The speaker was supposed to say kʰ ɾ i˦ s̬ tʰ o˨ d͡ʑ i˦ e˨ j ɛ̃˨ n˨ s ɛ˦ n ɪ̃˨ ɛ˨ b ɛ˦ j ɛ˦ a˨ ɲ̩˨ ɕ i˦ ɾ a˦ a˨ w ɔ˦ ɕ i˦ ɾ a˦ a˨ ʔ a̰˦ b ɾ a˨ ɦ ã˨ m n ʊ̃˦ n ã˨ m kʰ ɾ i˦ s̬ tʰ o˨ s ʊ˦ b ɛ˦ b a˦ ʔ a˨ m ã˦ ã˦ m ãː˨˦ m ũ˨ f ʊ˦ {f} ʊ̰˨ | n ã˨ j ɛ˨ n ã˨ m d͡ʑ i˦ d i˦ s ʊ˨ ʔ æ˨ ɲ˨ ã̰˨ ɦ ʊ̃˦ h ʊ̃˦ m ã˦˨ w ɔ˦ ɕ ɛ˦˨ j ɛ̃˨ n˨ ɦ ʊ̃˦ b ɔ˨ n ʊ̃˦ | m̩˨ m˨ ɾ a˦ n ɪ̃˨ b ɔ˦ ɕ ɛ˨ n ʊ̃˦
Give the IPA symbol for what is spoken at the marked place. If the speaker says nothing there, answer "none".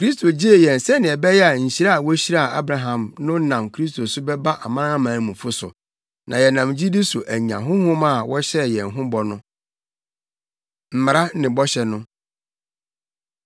s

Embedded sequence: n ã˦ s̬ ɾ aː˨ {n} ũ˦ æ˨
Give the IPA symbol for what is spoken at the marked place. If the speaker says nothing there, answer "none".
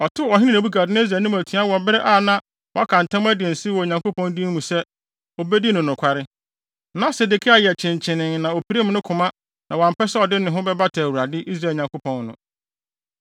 n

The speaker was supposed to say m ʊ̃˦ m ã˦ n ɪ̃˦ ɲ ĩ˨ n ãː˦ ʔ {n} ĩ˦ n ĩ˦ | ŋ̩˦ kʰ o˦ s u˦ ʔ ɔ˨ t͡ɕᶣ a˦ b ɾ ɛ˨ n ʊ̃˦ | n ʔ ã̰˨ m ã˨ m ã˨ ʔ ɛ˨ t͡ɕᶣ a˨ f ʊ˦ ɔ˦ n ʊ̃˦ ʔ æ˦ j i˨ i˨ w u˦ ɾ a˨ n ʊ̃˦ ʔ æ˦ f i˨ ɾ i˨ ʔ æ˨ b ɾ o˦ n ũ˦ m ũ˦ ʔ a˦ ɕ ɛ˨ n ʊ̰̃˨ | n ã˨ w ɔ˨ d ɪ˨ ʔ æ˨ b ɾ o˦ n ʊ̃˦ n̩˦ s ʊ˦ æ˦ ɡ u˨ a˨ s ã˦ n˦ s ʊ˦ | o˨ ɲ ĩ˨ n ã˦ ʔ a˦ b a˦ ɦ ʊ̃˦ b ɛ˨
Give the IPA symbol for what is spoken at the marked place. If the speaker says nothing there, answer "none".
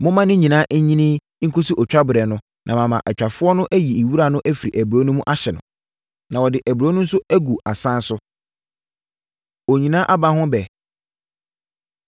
ɲ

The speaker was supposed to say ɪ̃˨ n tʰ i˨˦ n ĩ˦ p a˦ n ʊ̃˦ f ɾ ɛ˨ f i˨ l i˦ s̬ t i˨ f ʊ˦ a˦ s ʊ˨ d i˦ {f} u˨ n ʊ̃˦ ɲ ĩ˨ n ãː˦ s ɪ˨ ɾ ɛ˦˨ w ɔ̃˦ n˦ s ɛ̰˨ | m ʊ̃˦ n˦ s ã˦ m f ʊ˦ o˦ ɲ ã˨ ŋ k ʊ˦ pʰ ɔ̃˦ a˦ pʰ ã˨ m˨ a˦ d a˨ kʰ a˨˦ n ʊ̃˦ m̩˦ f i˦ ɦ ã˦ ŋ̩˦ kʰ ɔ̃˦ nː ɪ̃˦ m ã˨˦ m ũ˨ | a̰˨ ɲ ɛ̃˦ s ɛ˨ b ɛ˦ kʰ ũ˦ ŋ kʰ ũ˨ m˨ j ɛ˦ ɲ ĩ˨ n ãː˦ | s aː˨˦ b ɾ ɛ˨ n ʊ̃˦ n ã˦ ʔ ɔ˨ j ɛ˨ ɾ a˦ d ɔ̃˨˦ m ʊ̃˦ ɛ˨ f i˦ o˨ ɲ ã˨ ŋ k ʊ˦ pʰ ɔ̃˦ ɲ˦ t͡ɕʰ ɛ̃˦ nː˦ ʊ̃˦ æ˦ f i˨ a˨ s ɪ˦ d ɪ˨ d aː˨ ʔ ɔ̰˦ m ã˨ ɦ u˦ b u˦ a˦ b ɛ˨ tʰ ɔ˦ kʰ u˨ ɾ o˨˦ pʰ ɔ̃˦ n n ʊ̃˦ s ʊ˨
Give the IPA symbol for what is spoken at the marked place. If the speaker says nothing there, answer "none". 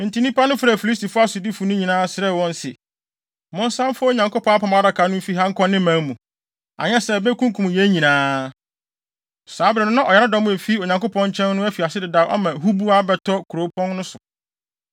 f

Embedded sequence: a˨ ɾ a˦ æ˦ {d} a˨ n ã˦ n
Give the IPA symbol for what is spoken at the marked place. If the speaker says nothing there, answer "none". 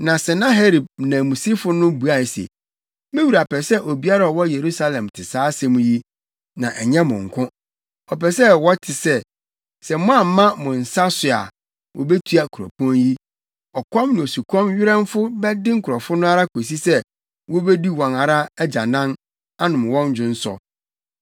d͡ʑ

